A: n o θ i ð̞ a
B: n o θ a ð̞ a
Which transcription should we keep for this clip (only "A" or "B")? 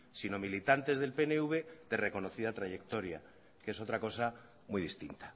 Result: A